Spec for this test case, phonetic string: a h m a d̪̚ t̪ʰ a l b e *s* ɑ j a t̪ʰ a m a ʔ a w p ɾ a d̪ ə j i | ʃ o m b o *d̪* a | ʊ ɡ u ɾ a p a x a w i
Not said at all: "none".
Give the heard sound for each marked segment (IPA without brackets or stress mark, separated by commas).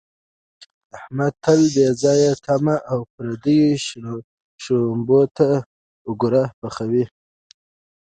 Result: z, t̪